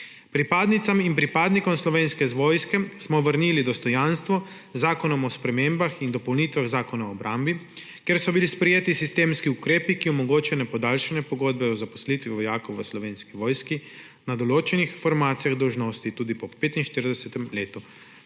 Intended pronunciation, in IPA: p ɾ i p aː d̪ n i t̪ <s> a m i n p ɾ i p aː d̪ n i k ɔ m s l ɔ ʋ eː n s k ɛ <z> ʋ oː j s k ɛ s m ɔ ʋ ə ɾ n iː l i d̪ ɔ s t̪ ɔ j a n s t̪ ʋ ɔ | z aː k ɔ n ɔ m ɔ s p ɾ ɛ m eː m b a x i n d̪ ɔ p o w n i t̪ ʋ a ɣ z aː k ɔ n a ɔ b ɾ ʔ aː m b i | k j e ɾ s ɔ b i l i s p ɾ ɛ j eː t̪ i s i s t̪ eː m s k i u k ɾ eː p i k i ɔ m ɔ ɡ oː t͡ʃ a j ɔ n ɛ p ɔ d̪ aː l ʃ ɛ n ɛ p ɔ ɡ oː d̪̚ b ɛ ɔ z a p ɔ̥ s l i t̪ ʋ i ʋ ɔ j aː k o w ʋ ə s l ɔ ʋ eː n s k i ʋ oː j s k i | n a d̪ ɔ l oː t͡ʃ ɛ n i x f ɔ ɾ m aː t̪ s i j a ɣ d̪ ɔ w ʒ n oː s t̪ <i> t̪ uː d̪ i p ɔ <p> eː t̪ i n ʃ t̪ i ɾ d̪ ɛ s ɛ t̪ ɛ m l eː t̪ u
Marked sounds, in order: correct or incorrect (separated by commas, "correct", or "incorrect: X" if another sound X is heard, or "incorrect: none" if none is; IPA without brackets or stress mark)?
correct, correct, correct, correct